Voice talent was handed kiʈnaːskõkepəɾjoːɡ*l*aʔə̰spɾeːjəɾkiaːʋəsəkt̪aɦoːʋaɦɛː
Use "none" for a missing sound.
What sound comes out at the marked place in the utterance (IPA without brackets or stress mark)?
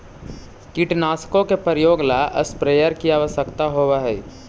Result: l